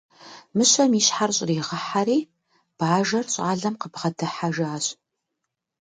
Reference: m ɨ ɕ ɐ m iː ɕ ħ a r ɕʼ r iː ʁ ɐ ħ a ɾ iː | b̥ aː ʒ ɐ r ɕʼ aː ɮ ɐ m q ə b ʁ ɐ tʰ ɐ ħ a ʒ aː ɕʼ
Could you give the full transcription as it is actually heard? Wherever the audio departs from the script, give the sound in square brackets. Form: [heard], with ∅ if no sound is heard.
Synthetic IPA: m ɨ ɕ ɐ m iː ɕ ħ a r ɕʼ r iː ʁ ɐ ħ a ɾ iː | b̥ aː ʒ ɐ r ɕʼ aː ɮ ɐ m q ə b ʁ ɐ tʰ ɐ ħ a ʒ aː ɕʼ